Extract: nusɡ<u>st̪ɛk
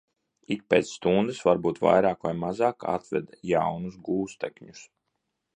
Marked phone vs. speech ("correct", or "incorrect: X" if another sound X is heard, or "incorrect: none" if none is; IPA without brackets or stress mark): incorrect: uː